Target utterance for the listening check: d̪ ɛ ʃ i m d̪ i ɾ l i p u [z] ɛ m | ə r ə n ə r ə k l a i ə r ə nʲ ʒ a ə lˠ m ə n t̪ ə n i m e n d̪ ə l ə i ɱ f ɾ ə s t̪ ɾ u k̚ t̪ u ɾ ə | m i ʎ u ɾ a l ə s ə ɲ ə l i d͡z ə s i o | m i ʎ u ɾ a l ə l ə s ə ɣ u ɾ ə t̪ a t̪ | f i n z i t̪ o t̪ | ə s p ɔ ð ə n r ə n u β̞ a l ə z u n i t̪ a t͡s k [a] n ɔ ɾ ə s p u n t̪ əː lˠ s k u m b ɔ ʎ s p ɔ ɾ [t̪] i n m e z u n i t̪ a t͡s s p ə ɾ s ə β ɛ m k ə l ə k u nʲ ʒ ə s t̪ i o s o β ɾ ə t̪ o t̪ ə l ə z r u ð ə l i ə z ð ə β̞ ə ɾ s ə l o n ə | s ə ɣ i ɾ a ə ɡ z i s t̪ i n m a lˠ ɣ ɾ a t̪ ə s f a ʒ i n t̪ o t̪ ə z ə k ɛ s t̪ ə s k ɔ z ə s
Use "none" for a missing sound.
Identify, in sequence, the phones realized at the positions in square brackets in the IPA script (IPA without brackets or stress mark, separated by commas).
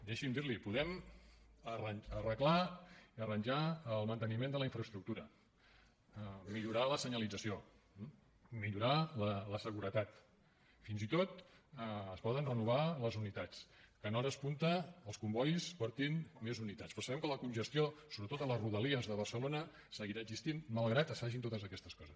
ð, ə, t̪